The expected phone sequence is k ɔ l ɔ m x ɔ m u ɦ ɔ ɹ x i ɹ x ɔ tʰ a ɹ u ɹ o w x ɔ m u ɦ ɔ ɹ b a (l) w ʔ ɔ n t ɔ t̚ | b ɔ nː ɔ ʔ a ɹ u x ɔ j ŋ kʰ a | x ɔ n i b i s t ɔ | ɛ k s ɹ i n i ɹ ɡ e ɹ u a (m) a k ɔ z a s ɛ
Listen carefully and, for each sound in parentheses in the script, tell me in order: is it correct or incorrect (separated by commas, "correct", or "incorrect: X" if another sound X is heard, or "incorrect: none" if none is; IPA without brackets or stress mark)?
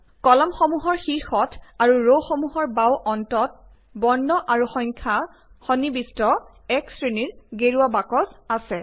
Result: incorrect: none, incorrect: b